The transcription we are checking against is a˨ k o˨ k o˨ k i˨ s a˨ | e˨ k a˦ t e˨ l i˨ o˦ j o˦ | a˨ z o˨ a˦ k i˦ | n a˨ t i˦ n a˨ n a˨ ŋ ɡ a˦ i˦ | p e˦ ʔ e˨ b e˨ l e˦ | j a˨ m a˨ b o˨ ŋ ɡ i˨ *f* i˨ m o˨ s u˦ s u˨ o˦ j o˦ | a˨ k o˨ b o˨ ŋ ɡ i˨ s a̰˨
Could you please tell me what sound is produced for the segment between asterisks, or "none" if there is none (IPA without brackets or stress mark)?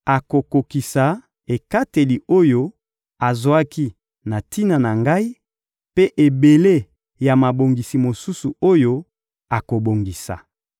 s